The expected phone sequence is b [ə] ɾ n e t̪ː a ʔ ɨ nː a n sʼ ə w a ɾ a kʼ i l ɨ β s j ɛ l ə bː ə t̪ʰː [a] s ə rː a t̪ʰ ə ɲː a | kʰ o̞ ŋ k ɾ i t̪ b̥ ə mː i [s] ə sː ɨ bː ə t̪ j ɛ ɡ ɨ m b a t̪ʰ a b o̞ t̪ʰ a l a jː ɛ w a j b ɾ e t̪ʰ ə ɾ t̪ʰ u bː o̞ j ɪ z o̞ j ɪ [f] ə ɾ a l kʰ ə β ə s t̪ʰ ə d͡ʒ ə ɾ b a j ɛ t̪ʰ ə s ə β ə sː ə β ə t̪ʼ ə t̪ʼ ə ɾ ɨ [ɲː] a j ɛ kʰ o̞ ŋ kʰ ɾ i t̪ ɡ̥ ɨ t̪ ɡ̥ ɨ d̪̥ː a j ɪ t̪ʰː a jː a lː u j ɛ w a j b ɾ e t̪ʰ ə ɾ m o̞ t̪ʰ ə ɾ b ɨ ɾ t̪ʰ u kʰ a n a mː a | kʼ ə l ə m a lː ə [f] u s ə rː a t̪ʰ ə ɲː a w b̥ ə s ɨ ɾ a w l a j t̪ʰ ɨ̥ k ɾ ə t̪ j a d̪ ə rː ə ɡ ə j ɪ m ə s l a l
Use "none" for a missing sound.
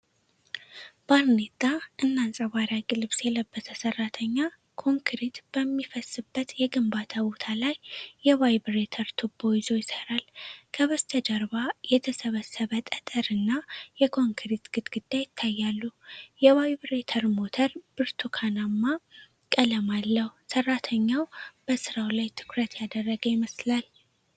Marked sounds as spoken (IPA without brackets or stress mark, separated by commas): a, ə, f, s, nː, h